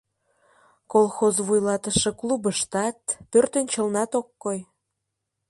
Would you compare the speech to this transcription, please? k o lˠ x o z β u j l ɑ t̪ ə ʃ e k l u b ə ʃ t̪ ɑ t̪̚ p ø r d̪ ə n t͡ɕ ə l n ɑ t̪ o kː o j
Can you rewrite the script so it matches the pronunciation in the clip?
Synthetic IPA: k o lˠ x o z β u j l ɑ t̪ ə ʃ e k l u b ə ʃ t̪ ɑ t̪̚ p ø r t̪ ə n t͡ɕ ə l n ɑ t̪ o kː o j

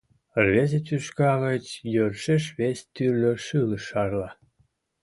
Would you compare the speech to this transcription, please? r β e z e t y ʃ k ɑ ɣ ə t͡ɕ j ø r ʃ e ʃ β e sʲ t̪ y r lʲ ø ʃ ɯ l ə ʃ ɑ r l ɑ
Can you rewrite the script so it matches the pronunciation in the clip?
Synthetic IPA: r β e z e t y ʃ k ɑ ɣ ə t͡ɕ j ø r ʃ e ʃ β e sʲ t̪ y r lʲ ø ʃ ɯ l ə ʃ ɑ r l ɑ

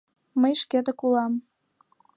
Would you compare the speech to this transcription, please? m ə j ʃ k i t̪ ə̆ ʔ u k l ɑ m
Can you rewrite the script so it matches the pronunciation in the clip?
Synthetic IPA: m ə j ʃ k e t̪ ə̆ k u l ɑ m

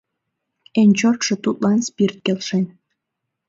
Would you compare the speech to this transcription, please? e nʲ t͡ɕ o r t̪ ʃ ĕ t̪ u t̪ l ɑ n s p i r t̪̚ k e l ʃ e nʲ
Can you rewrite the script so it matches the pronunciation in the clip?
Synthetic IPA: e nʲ t͡ɕ o r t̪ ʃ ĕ t̪ u t̪ l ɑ n s p i r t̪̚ k e l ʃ e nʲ

